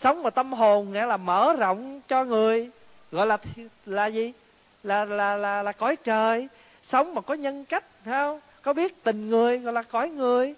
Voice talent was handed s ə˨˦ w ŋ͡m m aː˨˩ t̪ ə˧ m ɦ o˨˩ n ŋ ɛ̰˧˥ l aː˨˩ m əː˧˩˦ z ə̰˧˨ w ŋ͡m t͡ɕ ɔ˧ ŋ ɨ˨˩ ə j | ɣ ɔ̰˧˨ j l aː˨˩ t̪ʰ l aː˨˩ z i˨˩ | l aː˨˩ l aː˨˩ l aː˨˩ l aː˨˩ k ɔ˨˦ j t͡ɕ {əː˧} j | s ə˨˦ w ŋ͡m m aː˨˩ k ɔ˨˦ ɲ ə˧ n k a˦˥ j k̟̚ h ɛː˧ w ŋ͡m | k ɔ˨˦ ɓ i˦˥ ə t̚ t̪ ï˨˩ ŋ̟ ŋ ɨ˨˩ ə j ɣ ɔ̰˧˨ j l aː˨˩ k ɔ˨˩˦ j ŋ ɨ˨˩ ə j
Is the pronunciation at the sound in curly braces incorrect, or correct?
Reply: incorrect